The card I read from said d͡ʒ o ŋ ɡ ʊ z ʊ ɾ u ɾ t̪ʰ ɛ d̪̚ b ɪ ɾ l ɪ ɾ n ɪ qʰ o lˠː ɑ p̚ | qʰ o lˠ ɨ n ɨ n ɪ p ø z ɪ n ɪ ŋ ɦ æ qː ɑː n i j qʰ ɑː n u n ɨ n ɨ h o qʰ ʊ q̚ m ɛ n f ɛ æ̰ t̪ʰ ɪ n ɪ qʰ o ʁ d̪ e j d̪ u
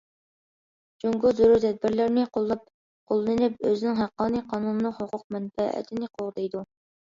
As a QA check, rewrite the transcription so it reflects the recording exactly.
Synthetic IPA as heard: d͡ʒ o ŋ ɡ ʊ z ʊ ɾ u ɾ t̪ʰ ɛ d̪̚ b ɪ ɾ l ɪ ɾ n ɪ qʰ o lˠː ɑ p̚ | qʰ o lˠ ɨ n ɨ n ɪ p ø z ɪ n ɪ ŋ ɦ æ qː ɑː n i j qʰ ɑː n u n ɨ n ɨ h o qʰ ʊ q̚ m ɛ n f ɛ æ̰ t̪ʰ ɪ n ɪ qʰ o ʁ d̪ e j d̪ u